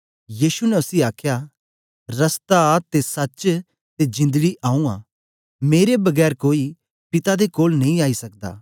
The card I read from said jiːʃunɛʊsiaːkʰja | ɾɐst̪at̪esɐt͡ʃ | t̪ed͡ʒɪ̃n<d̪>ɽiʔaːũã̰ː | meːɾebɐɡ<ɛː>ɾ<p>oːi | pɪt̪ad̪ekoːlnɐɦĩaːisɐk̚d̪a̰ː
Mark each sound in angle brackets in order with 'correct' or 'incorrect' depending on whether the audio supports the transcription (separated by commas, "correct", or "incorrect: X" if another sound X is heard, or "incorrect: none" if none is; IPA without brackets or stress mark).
correct, correct, incorrect: k